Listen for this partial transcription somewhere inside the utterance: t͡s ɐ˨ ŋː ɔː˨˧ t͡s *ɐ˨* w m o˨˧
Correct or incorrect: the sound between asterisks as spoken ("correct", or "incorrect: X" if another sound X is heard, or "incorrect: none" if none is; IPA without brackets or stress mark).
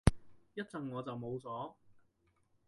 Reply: correct